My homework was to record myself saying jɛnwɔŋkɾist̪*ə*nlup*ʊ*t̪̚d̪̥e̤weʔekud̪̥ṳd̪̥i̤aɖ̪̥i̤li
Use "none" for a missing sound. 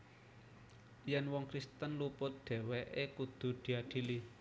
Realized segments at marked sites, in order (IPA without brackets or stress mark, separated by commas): ə, ʊ